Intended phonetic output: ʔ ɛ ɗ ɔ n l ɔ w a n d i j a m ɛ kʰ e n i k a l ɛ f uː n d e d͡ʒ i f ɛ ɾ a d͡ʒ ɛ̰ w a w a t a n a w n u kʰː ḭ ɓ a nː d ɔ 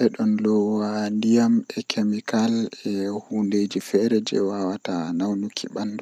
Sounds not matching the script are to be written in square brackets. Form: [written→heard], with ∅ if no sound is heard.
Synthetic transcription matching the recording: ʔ ɛ ɗ ɔ n l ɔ w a n d i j a m ɛ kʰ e [n→m] i k a l ɛ [f→h] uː n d e d͡ʒ i f ɛ ɾ [a→ɛ] d͡ʒ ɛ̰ w a w a t a n a w n u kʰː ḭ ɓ a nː d ɔ